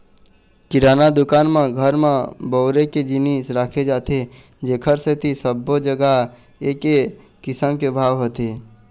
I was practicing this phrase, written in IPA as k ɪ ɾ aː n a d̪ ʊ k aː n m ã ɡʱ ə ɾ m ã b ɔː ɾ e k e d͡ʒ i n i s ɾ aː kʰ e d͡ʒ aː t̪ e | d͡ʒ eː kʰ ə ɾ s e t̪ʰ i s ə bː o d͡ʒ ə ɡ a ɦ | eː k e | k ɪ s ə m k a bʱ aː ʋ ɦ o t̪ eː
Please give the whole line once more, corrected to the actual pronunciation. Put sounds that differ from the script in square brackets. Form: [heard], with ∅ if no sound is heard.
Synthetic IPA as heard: k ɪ ɾ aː n a d̪ ʊ k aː n m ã ɡʱ ə ɾ m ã b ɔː ɾ e k e d͡ʒ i n i s ɾ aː kʰ e d͡ʒ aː t̪ e | d͡ʒ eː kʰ ə ɾ s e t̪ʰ i s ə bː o d͡ʒ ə ɡ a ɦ | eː k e | k ɪ s ə m k [e] bʱ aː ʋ ɦ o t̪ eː